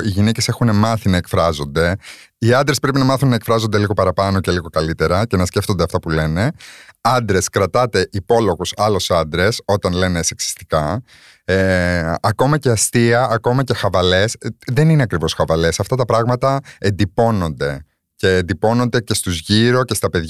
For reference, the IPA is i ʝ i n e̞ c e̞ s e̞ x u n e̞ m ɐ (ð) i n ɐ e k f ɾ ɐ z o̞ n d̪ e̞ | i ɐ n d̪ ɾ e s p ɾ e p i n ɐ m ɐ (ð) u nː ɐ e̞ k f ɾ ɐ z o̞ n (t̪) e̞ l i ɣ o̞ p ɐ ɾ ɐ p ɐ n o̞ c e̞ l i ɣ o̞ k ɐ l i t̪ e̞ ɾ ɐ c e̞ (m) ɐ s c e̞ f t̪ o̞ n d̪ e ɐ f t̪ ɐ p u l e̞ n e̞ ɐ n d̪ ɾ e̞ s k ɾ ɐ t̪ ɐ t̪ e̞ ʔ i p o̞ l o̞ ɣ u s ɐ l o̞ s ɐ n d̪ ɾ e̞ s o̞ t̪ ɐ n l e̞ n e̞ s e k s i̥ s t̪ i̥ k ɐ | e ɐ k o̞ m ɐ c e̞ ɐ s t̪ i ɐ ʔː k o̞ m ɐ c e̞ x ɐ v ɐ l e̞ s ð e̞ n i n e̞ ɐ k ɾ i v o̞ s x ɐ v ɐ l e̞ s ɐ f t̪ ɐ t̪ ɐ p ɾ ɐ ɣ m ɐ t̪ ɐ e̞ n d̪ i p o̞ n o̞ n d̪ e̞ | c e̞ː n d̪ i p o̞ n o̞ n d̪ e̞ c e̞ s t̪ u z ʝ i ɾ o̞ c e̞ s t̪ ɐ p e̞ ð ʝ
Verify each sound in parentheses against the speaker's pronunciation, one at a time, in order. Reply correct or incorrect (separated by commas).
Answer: incorrect, incorrect, incorrect, incorrect